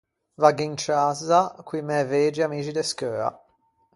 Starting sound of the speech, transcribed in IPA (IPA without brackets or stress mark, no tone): v